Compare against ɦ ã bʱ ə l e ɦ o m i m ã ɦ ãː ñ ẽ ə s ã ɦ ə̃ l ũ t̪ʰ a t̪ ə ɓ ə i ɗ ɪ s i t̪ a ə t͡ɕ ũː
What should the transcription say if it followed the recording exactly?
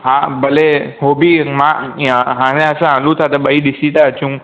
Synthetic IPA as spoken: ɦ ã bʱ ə l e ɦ o b i m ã ɦ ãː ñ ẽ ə s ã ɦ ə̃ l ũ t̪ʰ a t̪ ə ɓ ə i ɗ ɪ s i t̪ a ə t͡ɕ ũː